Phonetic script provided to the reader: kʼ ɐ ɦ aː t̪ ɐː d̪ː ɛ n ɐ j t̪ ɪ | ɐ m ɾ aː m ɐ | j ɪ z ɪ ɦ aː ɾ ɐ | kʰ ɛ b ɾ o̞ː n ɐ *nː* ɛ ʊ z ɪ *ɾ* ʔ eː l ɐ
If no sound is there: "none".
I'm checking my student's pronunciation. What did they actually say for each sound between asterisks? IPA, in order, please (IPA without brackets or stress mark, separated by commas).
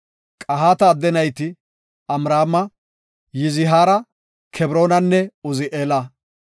nː, none